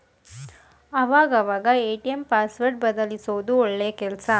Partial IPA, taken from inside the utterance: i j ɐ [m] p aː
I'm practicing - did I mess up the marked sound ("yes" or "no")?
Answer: no